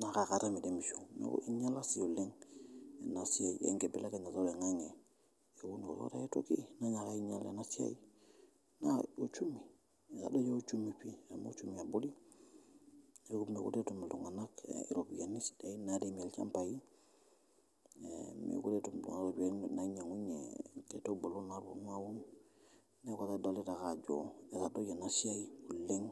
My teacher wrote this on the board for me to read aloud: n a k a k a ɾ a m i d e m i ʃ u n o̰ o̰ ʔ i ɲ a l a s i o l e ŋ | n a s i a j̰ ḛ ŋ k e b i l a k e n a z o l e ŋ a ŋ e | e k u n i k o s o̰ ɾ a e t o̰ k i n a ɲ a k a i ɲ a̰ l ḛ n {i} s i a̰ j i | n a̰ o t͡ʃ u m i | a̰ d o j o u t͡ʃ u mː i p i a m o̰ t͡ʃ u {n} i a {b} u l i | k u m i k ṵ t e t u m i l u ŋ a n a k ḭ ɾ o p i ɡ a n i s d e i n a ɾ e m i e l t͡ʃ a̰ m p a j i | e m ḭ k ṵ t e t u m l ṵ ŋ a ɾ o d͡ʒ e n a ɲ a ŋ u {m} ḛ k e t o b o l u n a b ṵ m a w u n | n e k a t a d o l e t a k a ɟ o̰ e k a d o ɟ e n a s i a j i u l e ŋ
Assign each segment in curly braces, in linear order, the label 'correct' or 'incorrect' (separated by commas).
incorrect, incorrect, correct, incorrect